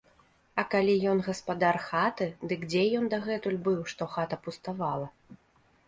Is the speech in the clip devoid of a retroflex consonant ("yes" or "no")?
no